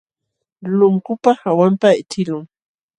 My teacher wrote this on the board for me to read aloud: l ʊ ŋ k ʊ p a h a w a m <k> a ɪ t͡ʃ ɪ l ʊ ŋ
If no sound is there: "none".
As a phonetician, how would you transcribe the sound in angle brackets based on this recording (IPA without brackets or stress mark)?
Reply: p